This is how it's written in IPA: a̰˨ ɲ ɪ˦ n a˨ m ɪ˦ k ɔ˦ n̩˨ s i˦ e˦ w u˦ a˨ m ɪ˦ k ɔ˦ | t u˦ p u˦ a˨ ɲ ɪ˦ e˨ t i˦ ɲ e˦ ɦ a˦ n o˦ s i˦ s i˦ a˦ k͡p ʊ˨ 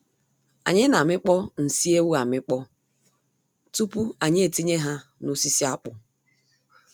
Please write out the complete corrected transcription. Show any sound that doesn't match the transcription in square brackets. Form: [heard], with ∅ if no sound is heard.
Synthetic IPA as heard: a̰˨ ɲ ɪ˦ n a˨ m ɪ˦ [k͡p] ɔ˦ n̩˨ s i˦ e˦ w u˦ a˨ m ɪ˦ [k͡p] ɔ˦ | t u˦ p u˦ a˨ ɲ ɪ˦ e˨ t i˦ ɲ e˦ ɦ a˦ n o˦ s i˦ s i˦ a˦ k͡p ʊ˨